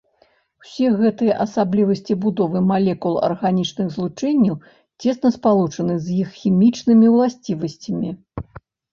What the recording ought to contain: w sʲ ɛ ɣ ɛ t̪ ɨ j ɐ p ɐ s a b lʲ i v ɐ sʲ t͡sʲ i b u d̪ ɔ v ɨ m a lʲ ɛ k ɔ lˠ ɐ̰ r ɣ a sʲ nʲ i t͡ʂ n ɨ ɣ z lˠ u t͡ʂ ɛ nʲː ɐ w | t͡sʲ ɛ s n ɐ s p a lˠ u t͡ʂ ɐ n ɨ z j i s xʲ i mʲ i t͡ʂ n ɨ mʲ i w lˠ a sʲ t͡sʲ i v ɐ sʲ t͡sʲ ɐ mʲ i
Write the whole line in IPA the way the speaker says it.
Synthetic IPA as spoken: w sʲ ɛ ɣ ɛ t̪ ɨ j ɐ ʔ ɐ s a b lʲ i v ɐ sʲ t͡sʲ i b u d̪ ɔ v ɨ m a lʲ ɛ k u lˠ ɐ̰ r ɣ a nʲ i t͡ʂ n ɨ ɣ z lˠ u t͡ʂ ɛ nʲː ɐ w | t͡sʲ ɛ s n ɐ s p a lˠ u t͡ʂ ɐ n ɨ z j i x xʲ i mʲ i t͡ʂ n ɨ mʲ i w lˠ a sʲ t͡sʲ i v ɐ sʲ t͡sʲ ɐ mʲ i